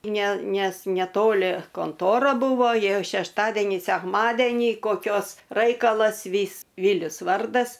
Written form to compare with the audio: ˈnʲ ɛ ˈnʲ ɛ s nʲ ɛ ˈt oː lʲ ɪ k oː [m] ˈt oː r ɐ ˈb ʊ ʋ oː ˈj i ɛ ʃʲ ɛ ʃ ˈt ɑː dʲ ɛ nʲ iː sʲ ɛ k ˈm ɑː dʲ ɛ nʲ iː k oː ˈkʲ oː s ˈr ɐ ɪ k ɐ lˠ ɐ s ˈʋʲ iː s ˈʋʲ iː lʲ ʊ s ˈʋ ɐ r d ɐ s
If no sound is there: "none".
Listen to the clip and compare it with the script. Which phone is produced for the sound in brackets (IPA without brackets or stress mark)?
n